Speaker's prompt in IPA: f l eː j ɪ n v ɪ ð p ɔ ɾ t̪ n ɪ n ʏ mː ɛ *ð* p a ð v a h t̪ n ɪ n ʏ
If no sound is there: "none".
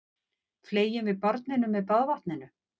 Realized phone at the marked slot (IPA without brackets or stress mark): ð